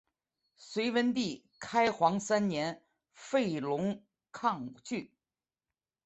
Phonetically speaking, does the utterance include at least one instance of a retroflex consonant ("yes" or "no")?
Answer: no